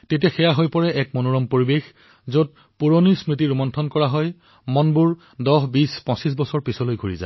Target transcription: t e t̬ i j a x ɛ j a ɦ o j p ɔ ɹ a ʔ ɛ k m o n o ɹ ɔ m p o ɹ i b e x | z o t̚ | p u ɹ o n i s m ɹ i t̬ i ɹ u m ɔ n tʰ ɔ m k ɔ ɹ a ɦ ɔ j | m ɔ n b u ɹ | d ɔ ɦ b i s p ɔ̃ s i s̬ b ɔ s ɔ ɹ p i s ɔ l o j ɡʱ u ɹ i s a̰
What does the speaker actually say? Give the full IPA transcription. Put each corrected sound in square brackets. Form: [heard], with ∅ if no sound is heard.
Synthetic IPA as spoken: t e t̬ i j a x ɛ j a ɦ o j p ɔ ɹ [ɛ] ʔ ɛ k m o n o ɹ ɔ m p o ɹ i b e x | z o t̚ | p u ɹ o n i s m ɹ i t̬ i ɹ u m ɔ n tʰ ɔ [n] k ɔ ɹ a ɦ ɔ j | m ɔ n b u ɹ | d ɔ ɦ b i s p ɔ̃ s i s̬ b ɔ s ɔ ɹ p i s ɔ l o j ɡʱ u ɹ i [z] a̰